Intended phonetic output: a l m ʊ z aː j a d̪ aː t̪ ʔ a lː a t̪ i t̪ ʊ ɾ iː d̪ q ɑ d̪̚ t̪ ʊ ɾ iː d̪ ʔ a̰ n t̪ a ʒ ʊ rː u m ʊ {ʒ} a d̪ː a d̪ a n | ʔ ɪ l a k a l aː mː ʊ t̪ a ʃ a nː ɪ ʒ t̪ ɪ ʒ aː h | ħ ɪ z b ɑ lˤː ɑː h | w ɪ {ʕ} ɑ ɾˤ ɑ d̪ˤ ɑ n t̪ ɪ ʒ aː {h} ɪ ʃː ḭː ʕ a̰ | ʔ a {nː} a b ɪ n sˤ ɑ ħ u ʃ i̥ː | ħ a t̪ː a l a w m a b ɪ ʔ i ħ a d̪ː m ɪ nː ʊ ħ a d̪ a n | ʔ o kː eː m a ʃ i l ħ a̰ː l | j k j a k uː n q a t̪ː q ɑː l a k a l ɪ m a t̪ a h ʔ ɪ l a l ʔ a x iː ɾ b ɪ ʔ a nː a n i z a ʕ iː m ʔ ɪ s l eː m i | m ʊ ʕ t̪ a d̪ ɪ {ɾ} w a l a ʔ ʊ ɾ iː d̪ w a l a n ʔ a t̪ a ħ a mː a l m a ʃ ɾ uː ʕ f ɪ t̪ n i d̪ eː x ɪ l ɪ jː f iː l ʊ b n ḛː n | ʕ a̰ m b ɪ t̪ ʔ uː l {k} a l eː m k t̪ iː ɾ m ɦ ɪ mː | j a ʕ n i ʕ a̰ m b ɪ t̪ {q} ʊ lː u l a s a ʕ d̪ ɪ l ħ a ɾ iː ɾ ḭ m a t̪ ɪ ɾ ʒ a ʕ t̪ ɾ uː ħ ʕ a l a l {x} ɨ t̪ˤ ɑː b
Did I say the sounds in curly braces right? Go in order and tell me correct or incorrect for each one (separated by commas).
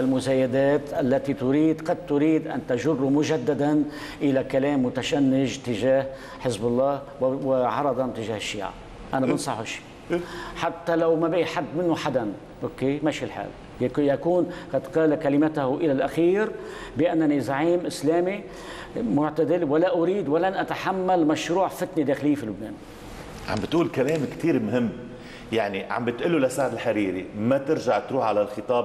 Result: correct, correct, correct, incorrect, incorrect, correct, incorrect, correct